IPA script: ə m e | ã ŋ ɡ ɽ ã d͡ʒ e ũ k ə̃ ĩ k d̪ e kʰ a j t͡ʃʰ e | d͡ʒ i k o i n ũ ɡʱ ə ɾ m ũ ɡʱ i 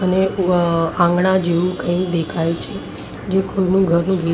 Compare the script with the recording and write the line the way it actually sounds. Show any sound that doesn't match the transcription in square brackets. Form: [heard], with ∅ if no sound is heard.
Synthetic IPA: ə [n] e | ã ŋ ɡ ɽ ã d͡ʒ e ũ k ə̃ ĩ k d̪ e kʰ a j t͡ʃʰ e | d͡ʒ [e] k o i n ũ ɡʱ ə ɾ [n] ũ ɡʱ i